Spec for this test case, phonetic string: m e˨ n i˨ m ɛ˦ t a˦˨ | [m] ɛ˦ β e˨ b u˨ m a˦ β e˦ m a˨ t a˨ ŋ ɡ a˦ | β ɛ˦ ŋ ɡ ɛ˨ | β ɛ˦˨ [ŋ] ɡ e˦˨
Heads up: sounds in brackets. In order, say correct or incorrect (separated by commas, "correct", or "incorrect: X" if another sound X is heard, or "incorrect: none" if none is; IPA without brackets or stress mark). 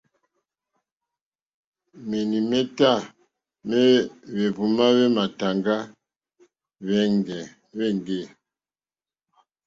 correct, correct